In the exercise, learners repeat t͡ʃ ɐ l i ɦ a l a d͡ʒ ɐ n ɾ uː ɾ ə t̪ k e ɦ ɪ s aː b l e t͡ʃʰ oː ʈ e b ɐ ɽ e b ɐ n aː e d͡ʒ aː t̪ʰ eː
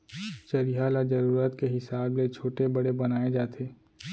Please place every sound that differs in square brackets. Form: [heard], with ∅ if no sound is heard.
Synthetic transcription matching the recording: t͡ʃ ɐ [ɾ] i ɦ a l a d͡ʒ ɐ [∅] ɾ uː ɾ ə t̪ k e ɦ ɪ s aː b l e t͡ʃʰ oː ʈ e b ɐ ɽ e b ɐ n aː e d͡ʒ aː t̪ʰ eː

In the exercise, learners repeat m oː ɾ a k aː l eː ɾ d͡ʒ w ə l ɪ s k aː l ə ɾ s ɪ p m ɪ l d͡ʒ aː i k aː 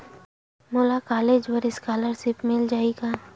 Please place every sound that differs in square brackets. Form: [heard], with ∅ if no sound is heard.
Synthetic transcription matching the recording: m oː [l] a k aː l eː [∅] d͡ʒ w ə [ɾ] ɪ s k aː l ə ɾ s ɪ p m ɪ l d͡ʒ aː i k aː

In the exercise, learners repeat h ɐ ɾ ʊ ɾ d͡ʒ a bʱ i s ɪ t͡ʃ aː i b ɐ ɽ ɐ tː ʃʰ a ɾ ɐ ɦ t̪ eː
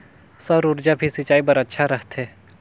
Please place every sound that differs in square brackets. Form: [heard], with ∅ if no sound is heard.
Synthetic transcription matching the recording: [s] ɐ ɾ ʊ ɾ d͡ʒ a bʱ i s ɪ t͡ʃ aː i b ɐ [ɾ] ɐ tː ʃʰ a ɾ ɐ ɦ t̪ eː

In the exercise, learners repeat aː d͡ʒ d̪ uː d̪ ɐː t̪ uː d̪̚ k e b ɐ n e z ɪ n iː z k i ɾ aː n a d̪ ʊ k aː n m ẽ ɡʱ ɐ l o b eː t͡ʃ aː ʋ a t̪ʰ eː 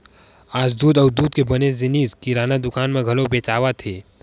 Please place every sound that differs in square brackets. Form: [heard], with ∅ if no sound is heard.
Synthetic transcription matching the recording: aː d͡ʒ d̪ uː d̪ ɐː [d̪] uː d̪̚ k e b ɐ n e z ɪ n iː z k i ɾ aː n a d̪ ʊ k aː n m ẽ ɡʱ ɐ l o b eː t͡ʃ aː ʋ a t̪ʰ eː

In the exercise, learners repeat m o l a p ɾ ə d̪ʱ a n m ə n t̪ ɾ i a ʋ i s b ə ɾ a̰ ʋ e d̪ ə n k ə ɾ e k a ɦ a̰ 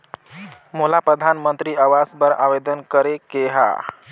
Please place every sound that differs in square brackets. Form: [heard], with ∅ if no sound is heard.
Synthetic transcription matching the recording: m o l a p ɾ ə d̪ʱ a n m ə n t̪ ɾ i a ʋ [a] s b ə ɾ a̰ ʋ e d̪ ə n k ə ɾ e k [e] ɦ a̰

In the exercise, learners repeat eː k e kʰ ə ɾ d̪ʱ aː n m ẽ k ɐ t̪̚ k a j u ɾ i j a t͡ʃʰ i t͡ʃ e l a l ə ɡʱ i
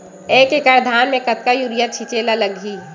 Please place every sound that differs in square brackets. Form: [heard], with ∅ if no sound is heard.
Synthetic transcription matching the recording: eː k e [k] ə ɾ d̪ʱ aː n m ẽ k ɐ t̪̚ k a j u ɾ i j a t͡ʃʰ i t͡ʃ e l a l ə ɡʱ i

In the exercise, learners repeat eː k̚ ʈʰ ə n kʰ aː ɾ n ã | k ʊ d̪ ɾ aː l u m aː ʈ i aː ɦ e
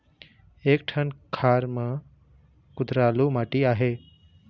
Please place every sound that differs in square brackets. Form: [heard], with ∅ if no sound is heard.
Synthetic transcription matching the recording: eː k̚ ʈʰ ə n kʰ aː ɾ [m] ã | k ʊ d̪ ɾ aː l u m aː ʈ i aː ɦ e

